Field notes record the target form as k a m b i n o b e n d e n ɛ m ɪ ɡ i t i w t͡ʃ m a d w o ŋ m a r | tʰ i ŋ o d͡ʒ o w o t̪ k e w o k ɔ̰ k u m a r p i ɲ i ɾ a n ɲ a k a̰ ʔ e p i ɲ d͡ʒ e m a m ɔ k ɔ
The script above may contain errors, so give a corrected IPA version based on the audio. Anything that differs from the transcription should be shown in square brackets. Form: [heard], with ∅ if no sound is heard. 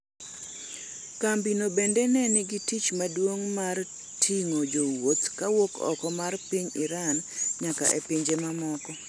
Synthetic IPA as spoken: k a m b i n o b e n d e n ɛ [n] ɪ ɡ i t i [∅] t͡ʃ m a d w o ŋ m a r | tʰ i ŋ o d͡ʒ o w o t̪ k [a] w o k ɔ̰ k [ɔ] m a r p i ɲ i ɾ a n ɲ a k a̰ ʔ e p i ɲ d͡ʒ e m a m ɔ k ɔ